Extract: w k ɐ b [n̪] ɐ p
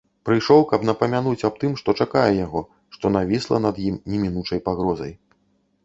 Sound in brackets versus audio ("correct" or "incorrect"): correct